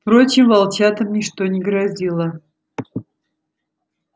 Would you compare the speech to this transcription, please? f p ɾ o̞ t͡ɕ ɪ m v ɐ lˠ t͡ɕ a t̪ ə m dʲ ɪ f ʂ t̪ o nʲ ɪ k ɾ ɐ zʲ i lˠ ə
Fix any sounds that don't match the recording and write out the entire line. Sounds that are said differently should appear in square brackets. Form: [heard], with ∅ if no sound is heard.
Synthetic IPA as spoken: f p ɾ o̞ t͡ɕ ɪ m v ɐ lˠ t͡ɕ a t̪ ə m [nʲ] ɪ [∅] ʂ t̪ o nʲ ɪ [ɡ] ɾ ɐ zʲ i lˠ ə